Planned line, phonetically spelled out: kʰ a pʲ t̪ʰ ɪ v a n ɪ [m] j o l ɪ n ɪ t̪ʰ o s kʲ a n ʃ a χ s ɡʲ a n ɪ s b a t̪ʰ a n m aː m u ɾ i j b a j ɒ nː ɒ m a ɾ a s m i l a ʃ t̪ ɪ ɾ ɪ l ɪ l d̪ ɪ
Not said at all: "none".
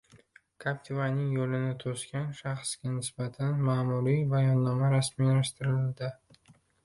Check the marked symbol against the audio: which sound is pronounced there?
ŋ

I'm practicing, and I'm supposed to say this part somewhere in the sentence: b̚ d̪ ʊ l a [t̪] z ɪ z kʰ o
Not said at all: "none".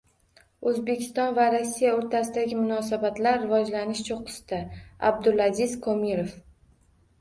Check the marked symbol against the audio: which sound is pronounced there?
none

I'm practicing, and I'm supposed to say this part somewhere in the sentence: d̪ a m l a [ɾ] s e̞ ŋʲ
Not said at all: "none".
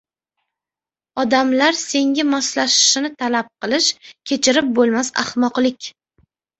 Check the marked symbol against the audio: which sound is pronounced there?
ɾ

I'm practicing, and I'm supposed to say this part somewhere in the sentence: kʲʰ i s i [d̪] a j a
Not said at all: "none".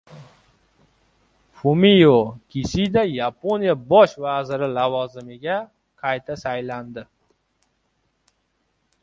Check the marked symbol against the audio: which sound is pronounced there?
d̪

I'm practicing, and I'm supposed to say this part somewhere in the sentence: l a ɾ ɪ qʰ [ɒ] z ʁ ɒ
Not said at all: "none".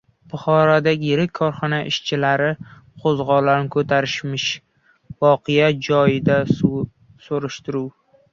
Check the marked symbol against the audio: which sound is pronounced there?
o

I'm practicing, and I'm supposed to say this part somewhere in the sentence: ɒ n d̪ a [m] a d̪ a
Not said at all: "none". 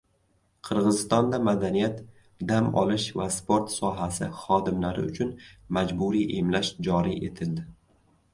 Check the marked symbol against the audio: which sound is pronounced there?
m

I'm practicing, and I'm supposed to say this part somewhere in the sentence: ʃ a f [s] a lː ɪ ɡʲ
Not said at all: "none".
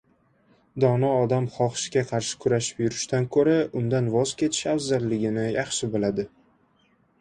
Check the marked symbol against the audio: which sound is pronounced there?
z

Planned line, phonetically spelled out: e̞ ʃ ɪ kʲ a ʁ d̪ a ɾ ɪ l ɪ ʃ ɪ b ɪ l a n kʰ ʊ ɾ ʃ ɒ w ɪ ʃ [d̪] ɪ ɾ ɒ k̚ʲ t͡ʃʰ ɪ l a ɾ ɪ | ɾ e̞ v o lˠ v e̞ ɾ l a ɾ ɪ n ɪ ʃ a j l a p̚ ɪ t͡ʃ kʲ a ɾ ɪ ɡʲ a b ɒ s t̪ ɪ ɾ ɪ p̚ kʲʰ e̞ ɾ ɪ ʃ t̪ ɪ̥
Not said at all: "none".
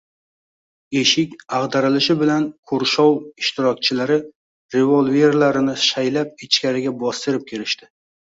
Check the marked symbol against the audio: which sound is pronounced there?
t̪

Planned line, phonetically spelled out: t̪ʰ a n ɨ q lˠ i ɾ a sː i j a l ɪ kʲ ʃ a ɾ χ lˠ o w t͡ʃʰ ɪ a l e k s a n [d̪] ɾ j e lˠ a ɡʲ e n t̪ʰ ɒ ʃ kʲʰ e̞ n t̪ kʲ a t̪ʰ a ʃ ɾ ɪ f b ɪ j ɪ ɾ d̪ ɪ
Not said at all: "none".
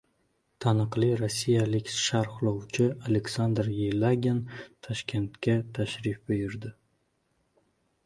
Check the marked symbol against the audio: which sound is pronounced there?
d̪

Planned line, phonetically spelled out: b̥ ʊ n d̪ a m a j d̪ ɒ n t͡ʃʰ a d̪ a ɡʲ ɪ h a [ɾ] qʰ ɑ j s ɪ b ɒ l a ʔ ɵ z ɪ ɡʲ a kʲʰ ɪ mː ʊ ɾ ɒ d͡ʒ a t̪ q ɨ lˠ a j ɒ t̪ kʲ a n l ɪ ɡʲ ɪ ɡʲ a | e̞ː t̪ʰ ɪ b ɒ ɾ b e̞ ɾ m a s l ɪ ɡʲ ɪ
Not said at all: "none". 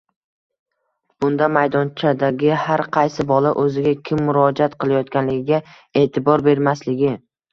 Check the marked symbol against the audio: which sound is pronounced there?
ɾ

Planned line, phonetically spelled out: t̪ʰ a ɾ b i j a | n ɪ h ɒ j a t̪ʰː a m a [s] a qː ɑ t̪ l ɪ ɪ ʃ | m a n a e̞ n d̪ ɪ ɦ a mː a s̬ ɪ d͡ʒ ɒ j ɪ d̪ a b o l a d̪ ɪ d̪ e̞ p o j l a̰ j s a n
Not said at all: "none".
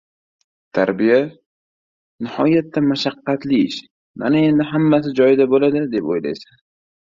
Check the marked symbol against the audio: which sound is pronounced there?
ʃ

